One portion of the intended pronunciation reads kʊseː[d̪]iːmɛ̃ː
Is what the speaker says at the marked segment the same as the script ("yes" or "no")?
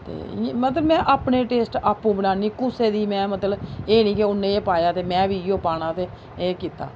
yes